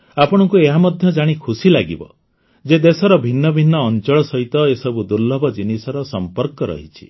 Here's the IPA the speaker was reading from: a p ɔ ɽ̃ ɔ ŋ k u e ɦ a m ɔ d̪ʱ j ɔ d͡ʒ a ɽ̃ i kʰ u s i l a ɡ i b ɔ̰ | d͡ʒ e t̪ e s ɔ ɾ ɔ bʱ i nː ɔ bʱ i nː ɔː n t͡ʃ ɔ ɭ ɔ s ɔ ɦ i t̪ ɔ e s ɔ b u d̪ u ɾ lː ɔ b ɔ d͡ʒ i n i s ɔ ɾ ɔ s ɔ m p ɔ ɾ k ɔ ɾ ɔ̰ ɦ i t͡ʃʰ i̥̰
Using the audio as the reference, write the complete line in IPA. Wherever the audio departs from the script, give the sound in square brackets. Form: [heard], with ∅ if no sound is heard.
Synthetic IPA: a p ɔ ɽ̃ ɔ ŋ k u e ɦ a m ɔ d̪ʱ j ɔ d͡ʒ a ɽ̃ i kʰ u s i l a ɡ i b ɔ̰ | d͡ʒ e [d̪] e s ɔ ɾ ɔ bʱ i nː ɔ bʱ i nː ɔː n t͡ʃ ɔ ɭ ɔ s ɔ ɦ i t̪ ɔ e s ɔ b u d̪ u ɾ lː ɔ b ɔ d͡ʒ i n i s ɔ ɾ ɔ s ɔ m p ɔ ɾ k ɔ ɾ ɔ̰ ɦ i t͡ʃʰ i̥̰

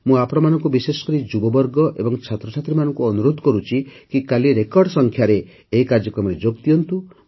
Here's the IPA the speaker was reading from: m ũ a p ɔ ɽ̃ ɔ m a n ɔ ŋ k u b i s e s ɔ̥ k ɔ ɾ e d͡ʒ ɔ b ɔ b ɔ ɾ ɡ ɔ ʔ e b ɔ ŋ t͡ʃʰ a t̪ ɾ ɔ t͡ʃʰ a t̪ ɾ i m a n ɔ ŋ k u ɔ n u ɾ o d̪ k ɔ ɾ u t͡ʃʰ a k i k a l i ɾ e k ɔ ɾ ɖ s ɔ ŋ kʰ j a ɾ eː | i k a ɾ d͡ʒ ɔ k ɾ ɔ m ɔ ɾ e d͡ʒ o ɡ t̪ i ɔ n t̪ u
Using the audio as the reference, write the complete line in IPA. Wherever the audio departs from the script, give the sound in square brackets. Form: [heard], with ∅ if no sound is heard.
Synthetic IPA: m ũ a p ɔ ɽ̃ ɔ m a n ɔ ŋ k u b i s e s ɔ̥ k ɔ ɾ [i] d͡ʒ [u] b ɔ b ɔ ɾ ɡ ɔ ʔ e b ɔ ŋ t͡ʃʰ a t̪ ɾ ɔ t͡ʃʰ a t̪ ɾ i m a n ɔ ŋ k u ɔ n u ɾ o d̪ k ɔ ɾ u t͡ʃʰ [i] k i k a l i ɾ e k ɔ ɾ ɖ s ɔ ŋ kʰ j a ɾ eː | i k a ɾ d͡ʒ ɔ k ɾ ɔ m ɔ ɾ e d͡ʒ o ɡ t̪ i ɔ n t̪ u

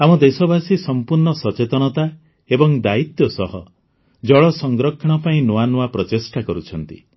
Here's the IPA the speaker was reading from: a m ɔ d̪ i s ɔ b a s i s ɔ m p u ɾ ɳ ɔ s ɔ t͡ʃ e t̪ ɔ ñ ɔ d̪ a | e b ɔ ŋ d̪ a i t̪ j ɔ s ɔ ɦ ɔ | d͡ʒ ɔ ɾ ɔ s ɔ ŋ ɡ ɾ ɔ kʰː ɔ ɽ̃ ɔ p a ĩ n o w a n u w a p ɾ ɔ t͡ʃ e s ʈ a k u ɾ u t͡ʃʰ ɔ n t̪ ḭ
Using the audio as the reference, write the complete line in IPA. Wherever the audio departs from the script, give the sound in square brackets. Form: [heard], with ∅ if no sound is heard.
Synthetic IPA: a m ɔ d̪ [e] s ɔ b a s i s ɔ m p u ɾ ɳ ɔ s ɔ t͡ʃ e t̪ ɔ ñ ɔ [t̪] a | e b ɔ ŋ d̪ a i t̪ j ɔ s ɔ ɦ ɔ | d͡ʒ ɔ [ɭ] ɔ s ɔ ŋ ɡ ɾ ɔ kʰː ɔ ɽ̃ ɔ p a ĩ n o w a n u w a p ɾ ɔ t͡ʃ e s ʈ a k [ɔ] ɾ u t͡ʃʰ ɔ n t̪ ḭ

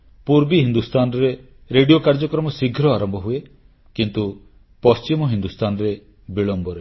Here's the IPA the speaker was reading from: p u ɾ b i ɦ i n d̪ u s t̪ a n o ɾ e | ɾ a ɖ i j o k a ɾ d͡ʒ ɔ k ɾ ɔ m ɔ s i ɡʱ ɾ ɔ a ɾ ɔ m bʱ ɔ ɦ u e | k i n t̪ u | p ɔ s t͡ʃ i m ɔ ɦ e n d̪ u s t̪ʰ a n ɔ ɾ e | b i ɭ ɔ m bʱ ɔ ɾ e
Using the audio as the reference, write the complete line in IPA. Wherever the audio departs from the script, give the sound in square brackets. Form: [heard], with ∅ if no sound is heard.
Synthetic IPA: p u ɾ b i ɦ i n d̪ u s t̪ a n [ɔ] ɾ e | ɾ [e] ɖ i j o k a ɾ d͡ʒ ɔ k ɾ ɔ m ɔ s i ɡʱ ɾ ɔ a ɾ ɔ m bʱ ɔ ɦ u e | k i n t̪ u | p ɔ s t͡ʃ i m ɔ ɦ [i] n d̪ u s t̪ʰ a n ɔ ɾ e | b i ɭ ɔ m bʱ ɔ ɾ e

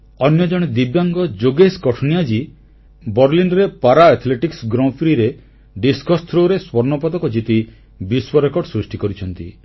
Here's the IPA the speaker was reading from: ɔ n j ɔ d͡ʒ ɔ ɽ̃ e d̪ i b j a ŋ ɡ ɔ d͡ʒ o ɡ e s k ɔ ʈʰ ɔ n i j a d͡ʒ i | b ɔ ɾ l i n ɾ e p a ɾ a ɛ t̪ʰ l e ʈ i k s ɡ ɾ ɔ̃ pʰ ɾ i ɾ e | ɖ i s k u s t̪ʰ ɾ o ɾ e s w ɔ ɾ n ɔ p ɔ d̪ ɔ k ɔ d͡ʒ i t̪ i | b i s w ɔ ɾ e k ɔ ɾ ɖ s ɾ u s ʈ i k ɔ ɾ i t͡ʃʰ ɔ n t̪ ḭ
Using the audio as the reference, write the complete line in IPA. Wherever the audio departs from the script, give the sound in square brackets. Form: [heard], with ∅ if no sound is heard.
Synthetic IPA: ɔ n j ɔ d͡ʒ ɔ ɽ̃ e d̪ i b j a ŋ ɡ ɔ d͡ʒ o ɡ e s k ɔ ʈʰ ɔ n i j a d͡ʒ i | b ɔ ɾ l i n ɾ e p a ɾ a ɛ t̪ʰ l e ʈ i k s ɡ ɾ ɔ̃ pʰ ɾ i ɾ e | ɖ i s k [ɔ] s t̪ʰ ɾ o ɾ e s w ɔ ɾ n ɔ p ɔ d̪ ɔ k ɔ d͡ʒ i t̪ i | b i s w ɔ ɾ e k ɔ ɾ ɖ s ɾ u s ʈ i k ɔ ɾ i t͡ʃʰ ɔ n t̪ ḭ

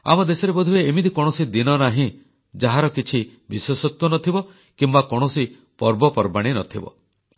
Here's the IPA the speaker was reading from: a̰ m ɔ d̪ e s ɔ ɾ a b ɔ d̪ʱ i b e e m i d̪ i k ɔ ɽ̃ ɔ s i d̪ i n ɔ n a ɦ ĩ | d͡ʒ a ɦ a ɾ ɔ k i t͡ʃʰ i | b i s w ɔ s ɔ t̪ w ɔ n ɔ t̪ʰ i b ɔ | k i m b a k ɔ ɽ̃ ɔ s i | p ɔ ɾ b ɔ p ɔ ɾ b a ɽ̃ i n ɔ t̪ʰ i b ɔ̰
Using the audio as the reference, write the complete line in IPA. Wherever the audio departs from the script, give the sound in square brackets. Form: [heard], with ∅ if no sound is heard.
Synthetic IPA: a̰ m ɔ d̪ e s ɔ ɾ [e] b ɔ d̪ʱ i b e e m i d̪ i k ɔ ɽ̃ ɔ s i d̪ i n ɔ n a ɦ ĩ | d͡ʒ a ɦ a ɾ ɔ k i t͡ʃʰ i | b i s w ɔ s ɔ t̪ w ɔ n ɔ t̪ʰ i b ɔ | k i m b a k ɔ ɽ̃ ɔ s i | p ɔ ɾ b ɔ p ɔ ɾ b a ɽ̃ i n ɔ t̪ʰ i b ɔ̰

